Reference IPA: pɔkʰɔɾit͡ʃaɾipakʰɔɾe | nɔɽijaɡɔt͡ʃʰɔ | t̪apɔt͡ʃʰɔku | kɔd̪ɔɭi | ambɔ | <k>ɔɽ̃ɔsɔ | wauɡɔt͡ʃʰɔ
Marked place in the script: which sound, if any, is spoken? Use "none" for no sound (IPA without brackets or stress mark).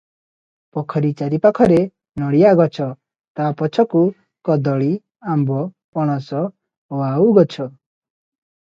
p